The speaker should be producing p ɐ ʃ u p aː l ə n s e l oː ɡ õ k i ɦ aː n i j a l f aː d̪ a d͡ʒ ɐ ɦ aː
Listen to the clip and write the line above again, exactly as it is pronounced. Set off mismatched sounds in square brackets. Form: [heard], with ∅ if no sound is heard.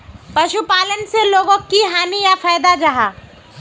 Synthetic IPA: p ɐ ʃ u p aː l ə n s e l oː ɡ õ k i ɦ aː n i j a [∅] f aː d̪ a d͡ʒ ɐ ɦ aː